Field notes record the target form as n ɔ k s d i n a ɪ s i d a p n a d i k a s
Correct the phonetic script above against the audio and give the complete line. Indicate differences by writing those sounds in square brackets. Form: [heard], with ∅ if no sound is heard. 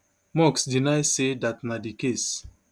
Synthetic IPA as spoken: [m] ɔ k s d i n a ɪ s [e] d a [t] n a d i k [e] s